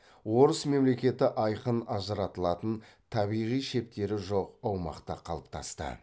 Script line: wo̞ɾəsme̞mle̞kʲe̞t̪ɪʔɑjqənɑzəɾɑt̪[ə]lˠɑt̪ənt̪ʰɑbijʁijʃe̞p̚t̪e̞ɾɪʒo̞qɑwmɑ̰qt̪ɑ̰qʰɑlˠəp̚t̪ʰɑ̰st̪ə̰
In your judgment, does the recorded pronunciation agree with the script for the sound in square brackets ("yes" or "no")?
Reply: yes